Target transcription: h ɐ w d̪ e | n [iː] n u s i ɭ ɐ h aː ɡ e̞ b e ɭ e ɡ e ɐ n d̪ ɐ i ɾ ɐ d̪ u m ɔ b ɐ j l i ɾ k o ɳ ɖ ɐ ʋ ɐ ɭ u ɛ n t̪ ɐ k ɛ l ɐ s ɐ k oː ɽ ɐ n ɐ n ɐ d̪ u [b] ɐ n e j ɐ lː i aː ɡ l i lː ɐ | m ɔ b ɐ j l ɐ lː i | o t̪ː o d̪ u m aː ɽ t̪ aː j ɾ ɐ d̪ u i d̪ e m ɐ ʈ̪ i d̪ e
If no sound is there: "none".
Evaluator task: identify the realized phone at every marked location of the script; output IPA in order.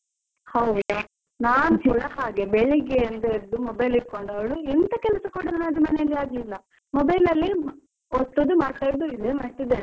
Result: aː, m

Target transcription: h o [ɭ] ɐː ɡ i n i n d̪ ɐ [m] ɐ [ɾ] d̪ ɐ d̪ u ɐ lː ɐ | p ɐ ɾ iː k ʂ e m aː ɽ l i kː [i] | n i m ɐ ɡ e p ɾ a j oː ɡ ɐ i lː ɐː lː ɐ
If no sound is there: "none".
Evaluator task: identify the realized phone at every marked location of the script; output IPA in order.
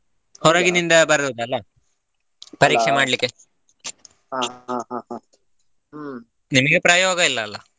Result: ɾ, b, ɾ, e

